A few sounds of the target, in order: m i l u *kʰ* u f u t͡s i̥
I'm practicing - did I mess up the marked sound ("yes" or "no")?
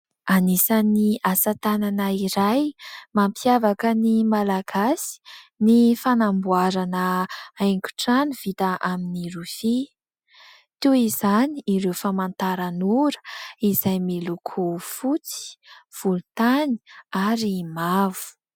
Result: no